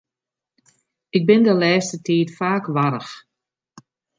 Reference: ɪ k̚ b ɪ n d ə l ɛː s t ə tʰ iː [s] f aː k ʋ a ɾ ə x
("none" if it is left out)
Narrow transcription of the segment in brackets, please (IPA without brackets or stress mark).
t